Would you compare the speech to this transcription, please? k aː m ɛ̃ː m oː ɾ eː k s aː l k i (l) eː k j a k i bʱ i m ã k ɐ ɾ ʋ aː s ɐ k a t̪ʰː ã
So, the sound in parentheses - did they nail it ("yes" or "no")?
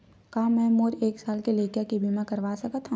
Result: yes